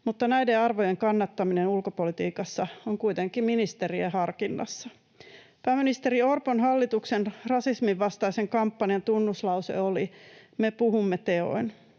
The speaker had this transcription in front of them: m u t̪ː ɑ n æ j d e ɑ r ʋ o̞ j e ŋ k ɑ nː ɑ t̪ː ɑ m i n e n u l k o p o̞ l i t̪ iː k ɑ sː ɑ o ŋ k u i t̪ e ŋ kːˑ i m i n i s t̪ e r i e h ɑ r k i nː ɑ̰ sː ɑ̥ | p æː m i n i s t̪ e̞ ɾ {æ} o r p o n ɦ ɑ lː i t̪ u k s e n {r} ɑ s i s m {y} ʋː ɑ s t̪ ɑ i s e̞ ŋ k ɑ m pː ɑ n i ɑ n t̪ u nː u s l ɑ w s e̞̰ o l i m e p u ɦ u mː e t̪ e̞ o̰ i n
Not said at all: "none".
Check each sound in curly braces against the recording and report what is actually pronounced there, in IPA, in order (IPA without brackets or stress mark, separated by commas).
i, r, i